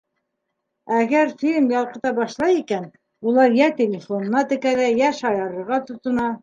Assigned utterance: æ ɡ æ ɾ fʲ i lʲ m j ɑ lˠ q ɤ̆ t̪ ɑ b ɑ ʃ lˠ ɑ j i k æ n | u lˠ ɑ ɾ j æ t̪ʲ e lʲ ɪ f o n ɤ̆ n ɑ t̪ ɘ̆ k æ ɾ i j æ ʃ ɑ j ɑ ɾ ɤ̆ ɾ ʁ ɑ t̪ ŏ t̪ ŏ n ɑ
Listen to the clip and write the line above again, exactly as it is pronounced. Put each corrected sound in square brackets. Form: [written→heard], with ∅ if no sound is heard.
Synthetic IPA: æ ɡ æ ɾ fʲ i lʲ m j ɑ lˠ q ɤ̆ t̪ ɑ b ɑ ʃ lˠ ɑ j i k æ n | u lˠ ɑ ɾ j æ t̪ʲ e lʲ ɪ f o n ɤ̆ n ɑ t̪ ɘ̆ k æ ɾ [i→æ] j æ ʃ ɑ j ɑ ɾ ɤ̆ ɾ ʁ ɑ t̪ ŏ t̪ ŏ n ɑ